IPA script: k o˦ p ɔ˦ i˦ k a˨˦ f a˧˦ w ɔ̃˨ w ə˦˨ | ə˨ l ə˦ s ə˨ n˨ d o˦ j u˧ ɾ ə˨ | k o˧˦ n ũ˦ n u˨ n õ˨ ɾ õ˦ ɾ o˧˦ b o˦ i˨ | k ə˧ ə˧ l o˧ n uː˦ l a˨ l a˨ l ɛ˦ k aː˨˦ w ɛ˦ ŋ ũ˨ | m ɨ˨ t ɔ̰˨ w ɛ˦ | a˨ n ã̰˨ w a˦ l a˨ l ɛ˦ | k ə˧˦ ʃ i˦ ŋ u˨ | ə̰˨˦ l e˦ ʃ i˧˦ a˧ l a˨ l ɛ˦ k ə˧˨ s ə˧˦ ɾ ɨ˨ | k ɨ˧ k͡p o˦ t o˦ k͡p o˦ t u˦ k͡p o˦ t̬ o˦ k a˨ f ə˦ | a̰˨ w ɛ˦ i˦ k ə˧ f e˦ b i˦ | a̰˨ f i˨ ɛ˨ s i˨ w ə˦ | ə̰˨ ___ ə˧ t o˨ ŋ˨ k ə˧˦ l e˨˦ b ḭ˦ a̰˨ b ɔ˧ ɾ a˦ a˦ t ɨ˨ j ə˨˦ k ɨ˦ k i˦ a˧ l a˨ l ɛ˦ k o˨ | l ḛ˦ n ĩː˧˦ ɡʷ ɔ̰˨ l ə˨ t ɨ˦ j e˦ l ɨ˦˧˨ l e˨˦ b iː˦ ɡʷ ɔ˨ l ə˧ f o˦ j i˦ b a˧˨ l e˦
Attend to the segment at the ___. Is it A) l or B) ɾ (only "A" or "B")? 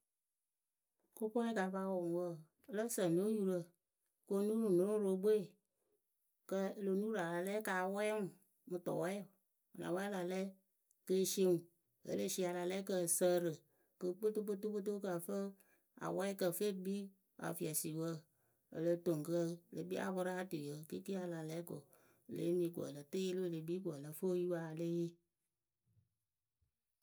A